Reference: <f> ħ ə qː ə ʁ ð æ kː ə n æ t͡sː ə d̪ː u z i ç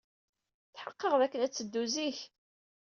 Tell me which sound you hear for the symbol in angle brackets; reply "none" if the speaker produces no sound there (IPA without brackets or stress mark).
θ